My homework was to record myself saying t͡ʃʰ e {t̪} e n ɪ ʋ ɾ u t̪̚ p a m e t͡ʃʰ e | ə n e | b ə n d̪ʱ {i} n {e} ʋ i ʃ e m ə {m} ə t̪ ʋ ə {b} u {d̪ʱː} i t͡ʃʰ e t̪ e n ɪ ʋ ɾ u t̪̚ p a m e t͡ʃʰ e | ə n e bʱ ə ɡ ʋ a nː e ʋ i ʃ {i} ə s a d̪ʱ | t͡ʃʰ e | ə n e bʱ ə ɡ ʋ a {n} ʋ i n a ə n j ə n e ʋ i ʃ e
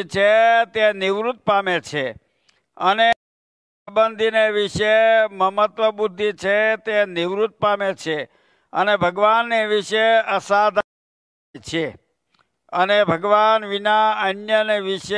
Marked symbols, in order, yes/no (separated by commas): yes, yes, yes, yes, yes, yes, no, yes